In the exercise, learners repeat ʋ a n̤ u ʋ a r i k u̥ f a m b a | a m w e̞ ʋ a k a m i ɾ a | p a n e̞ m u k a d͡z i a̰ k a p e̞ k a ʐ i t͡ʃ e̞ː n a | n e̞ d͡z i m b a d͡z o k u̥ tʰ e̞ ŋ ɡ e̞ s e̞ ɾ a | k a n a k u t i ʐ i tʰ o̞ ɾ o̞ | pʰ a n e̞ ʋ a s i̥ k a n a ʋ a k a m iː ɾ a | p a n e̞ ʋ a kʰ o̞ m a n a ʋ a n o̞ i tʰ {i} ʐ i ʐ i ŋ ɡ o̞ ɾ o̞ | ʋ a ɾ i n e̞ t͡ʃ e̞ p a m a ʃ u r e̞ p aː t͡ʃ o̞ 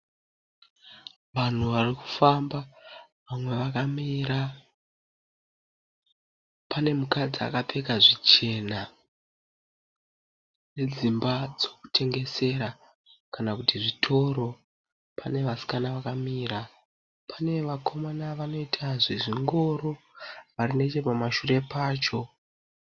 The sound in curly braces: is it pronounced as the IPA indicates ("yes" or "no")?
no